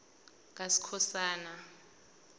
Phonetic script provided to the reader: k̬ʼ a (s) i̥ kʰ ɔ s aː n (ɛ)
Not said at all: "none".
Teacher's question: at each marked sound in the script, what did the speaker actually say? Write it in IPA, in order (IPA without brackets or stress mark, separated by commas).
s, a